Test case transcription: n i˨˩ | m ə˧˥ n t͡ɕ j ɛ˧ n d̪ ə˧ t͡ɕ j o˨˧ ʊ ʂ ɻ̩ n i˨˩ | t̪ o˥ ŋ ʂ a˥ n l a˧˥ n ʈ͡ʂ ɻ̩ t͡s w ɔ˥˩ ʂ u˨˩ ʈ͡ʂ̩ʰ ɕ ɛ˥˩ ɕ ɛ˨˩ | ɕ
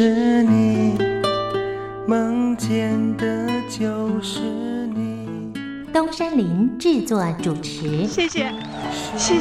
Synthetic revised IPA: n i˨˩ | m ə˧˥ ŋ t͡ɕ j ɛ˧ n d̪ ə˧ t͡ɕ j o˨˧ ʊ ʂ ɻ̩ n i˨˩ | t̪ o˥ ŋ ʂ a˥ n l i˧˥ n ʈ͡ʂ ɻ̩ t͡s w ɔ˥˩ ʈ͡ʂ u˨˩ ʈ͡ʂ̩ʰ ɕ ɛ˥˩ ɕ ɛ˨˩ | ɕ